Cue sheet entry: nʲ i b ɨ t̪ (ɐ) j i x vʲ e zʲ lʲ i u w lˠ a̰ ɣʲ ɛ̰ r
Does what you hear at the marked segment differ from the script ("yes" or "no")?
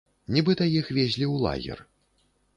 no